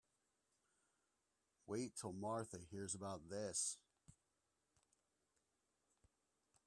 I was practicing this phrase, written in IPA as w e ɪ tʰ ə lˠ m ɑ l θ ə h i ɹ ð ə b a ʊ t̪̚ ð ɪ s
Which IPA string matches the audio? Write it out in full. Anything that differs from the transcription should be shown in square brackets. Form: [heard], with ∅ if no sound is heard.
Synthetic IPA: w e ɪ tʰ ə lˠ m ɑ [ɹ] θ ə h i ɹ [z] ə b a ʊ t̪̚ ð ɪ s